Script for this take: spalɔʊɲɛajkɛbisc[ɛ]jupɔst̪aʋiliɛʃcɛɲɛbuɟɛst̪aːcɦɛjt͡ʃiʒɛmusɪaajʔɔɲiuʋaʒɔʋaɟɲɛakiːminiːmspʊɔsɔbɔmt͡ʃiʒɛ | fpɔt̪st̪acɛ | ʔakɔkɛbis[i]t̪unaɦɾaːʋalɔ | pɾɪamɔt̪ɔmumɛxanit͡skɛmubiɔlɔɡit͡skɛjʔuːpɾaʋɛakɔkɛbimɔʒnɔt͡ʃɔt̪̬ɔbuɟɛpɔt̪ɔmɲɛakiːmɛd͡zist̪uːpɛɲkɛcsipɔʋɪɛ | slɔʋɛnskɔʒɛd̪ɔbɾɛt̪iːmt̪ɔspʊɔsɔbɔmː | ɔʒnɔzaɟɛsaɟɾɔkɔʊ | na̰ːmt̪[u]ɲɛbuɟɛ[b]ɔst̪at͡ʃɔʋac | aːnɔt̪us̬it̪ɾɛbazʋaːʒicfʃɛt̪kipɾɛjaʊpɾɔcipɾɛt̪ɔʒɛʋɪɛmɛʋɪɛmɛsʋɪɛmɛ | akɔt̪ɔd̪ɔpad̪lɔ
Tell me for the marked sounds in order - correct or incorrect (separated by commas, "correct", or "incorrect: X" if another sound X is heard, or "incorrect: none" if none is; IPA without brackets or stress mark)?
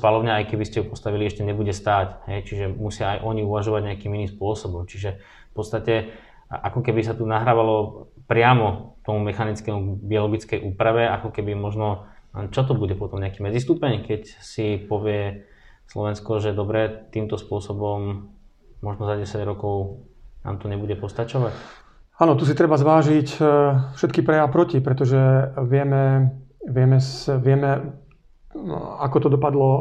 correct, incorrect: a, incorrect: ɔ, incorrect: p